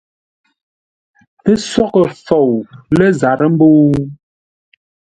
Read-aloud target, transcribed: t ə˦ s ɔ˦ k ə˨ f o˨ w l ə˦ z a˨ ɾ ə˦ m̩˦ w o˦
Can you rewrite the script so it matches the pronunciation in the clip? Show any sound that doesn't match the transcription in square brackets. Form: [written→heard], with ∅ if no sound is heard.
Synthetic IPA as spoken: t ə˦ s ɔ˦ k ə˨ f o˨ w l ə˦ z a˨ ɾ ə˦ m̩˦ [w→b] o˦